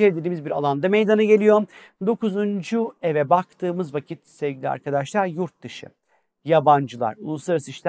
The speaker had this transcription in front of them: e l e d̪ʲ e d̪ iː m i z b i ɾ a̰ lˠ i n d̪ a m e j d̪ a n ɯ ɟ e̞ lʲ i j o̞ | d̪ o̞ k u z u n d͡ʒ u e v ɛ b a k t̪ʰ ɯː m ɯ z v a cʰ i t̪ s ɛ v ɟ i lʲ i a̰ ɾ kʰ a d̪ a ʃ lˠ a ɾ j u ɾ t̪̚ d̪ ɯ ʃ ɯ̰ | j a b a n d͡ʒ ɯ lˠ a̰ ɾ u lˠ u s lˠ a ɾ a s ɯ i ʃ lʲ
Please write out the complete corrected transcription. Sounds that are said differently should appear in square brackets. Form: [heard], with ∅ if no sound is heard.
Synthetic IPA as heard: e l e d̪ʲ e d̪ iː m i z b i ɾ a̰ lˠ [a] n d̪ a m e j d̪ a n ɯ ɟ e̞ lʲ i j o̞ | d̪ o̞ k u z u n d͡ʒ u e v ɛ b a k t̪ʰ ɯː m ɯ z v a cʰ i t̪ s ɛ v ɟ i lʲ i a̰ ɾ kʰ a d̪ a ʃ lˠ a ɾ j u ɾ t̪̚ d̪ ɯ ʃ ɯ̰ | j a b a n d͡ʒ ɯ lˠ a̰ ɾ u lˠ u s lˠ a ɾ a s ɯ i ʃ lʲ